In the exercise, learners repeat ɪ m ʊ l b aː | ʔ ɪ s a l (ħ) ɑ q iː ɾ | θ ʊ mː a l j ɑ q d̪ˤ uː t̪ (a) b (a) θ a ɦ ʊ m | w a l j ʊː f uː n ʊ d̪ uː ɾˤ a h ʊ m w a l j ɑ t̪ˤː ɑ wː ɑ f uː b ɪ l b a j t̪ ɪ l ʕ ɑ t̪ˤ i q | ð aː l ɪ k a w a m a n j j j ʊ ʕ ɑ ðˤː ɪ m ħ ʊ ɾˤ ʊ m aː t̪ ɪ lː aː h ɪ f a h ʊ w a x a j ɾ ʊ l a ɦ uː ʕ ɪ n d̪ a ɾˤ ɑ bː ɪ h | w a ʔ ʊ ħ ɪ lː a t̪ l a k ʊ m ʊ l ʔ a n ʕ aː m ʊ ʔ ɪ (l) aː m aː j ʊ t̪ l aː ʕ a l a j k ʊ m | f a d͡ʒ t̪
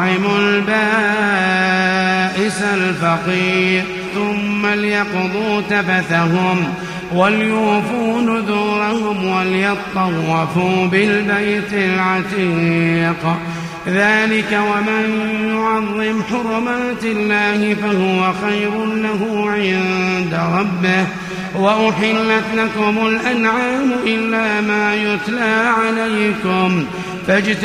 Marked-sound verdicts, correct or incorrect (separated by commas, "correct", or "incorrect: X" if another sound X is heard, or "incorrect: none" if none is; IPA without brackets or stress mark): incorrect: f, correct, correct, incorrect: lː